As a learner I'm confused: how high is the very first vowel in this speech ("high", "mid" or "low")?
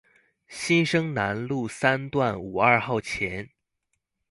high